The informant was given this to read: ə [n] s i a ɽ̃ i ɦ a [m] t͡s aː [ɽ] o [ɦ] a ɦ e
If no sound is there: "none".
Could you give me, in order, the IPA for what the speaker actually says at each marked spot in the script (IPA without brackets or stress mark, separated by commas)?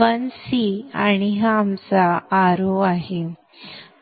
n, m, ɾ, none